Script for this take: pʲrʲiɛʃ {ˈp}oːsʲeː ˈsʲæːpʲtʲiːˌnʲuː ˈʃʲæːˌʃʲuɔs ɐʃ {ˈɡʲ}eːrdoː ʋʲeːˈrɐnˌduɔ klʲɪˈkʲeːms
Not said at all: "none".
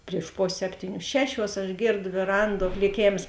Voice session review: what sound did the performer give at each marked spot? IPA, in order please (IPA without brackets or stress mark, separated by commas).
p, ɡʲ